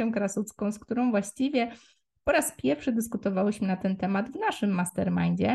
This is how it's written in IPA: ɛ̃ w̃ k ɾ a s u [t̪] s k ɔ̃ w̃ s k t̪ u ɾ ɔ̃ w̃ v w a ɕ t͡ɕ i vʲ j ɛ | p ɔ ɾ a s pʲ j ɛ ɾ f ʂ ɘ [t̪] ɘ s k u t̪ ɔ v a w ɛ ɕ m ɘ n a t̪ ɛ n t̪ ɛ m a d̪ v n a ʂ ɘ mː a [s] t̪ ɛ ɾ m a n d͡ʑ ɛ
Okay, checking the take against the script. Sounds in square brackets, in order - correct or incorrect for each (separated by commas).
correct, incorrect, correct